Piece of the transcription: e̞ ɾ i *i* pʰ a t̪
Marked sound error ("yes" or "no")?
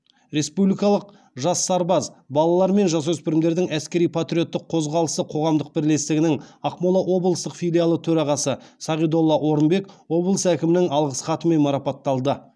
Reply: yes